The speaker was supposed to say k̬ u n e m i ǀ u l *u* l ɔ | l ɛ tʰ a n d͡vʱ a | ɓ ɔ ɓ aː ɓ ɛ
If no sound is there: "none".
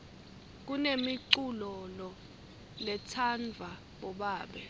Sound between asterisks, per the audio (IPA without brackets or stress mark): ɔ